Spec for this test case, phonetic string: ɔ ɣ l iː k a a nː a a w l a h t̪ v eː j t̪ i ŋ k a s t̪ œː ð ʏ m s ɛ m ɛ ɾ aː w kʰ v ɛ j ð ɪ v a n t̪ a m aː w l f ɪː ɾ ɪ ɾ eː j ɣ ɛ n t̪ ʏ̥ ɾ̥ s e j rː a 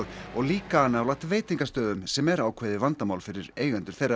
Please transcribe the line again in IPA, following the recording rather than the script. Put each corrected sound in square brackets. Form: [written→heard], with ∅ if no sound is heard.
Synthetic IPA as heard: ɔ ɣ l iː k a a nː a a w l a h t̪ v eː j t̪ i ŋ k a s t̪ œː ð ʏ m s ɛ m ɛ ɾ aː w kʰ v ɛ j ð ɪ v a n t̪ a m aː w l f [ɪː→ɪ] ɾ ɪ ɾ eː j ɣ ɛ n t̪ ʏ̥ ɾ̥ [s→θ] e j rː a